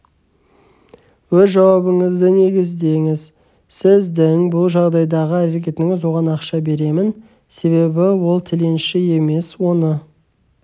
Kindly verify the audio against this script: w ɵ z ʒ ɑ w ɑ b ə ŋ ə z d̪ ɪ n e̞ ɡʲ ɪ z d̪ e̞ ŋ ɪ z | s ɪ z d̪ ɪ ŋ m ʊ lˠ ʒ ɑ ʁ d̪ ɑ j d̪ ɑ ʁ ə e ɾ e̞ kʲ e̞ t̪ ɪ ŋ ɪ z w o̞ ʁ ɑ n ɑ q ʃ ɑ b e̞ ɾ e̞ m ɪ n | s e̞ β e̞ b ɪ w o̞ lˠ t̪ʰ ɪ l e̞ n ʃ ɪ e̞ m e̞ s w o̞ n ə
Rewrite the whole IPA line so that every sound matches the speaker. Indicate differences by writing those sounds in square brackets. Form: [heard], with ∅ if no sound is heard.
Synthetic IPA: w ɵ z ʒ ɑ w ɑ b ə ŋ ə z d̪ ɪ n e̞ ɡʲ ɪ z d̪ e̞ ŋ ɪ z | s ɪ z d̪ ɪ ŋ [b] ʊ lˠ ʒ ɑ ʁ d̪ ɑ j d̪ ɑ ʁ ə [æ] ɾ e̞ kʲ e̞ t̪ ɪ ŋ ɪ z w o̞ ʁ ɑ n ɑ q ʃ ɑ b e̞ ɾ e̞ m ɪ n | s e̞ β e̞ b ɪ w o̞ lˠ t̪ʰ ɪ l e̞ n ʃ ɪ e̞ m e̞ s w o̞ n ə